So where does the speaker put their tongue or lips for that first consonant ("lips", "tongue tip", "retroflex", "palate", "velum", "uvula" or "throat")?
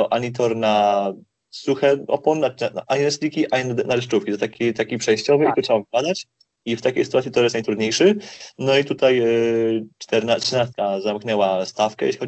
throat